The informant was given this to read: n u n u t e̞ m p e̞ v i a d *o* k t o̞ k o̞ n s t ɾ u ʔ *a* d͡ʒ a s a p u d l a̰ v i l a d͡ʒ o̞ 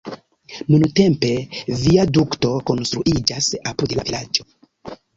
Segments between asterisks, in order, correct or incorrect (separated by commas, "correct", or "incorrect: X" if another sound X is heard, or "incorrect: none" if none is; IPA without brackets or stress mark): incorrect: u, incorrect: i